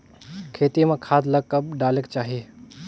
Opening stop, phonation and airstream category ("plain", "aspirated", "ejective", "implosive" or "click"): aspirated